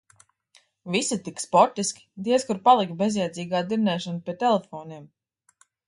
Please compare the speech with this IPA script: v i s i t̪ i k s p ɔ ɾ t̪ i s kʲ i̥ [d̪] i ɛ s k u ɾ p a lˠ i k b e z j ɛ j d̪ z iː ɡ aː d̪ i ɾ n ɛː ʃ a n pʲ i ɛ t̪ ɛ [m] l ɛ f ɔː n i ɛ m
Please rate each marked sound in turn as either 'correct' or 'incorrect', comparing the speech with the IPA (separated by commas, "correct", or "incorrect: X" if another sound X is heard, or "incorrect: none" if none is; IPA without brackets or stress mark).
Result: correct, incorrect: none